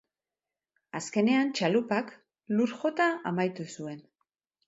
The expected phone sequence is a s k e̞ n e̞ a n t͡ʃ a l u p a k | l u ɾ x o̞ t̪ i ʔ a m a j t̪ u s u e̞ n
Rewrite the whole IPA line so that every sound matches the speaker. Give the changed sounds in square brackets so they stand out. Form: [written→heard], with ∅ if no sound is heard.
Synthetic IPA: a s k e̞ n e̞ a n t͡ʃ a l u p a k | l u ɾ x o̞ t̪ [i→a] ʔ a m a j t̪ u s u e̞ n